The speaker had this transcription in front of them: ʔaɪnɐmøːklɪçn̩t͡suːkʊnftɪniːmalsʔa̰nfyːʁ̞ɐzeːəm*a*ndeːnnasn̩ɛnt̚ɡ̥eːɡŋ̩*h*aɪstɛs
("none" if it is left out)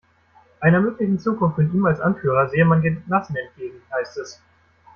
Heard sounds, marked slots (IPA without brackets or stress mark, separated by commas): a, h